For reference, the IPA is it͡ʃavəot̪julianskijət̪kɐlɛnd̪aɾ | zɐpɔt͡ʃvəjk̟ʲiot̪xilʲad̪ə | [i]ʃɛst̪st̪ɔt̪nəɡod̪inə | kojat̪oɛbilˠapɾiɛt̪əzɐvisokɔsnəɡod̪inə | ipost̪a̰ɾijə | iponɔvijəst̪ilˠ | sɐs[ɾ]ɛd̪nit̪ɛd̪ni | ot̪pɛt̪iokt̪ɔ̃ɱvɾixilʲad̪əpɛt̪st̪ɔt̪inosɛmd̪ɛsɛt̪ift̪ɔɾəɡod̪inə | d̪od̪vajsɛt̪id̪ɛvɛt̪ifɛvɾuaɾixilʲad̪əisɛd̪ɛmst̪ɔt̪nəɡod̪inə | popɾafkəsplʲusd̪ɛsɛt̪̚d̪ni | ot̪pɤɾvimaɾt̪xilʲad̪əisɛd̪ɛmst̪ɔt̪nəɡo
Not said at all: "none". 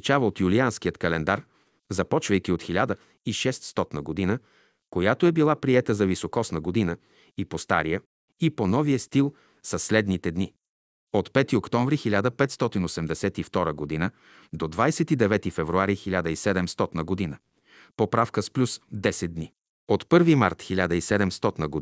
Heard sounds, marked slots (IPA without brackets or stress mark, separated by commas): i, l